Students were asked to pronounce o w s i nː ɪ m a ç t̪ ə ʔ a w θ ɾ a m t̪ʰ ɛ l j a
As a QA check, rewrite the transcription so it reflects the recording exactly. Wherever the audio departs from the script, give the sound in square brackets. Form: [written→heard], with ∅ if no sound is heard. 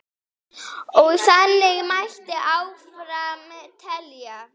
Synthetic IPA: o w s [i→a] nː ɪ m a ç t̪ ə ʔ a w [θ→f] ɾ a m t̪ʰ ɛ l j a